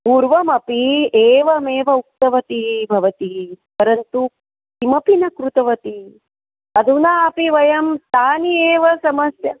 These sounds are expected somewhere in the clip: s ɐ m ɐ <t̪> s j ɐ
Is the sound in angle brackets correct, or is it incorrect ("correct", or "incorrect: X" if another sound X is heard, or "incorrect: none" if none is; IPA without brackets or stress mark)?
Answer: incorrect: none